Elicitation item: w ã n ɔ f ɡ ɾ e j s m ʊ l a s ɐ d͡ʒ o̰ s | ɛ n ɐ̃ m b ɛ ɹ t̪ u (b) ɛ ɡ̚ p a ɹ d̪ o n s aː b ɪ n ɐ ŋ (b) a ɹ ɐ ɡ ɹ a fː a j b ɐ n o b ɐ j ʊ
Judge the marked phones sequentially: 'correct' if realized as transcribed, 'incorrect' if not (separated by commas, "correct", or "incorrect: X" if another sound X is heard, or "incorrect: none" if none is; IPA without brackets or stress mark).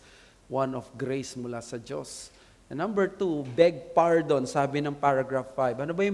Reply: correct, incorrect: p